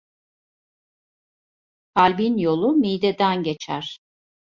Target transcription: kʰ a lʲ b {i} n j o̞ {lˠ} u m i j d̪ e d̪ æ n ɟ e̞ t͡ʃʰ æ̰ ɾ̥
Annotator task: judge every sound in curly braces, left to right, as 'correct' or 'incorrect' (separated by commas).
correct, correct